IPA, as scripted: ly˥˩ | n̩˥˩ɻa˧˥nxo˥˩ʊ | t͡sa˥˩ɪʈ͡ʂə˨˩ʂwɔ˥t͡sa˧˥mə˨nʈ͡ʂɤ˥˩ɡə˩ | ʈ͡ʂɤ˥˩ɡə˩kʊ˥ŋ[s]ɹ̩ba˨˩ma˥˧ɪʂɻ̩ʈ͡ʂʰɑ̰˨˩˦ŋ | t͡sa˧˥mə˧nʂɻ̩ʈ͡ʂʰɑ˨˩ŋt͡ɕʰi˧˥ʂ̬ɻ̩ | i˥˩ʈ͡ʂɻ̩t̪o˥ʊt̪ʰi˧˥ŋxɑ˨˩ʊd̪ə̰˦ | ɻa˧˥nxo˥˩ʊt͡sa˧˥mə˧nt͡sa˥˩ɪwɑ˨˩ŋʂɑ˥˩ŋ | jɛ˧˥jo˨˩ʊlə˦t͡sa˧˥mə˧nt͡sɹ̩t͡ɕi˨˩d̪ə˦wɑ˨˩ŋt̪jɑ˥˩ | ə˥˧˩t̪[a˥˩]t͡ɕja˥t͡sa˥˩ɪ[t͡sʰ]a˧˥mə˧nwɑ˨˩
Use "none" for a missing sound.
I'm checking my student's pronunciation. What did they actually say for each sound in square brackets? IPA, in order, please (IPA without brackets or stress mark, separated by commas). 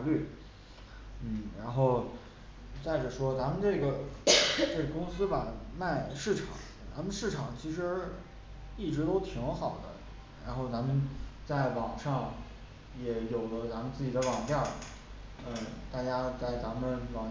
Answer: s, a˥˩, t͡s